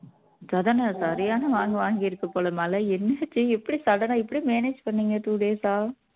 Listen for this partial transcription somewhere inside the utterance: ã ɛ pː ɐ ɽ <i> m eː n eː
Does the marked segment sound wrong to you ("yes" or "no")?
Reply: no